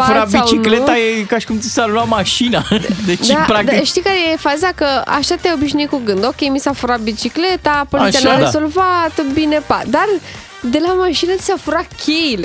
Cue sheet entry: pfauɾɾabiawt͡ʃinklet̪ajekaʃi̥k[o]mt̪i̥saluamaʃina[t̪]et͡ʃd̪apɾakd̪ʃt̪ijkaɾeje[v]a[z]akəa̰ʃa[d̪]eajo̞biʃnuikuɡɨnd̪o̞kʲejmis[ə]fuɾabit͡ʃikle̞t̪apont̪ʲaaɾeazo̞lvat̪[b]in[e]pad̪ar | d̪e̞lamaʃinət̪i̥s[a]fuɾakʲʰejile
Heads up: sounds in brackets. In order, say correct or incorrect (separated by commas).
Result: incorrect, incorrect, incorrect, correct, incorrect, incorrect, correct, correct, correct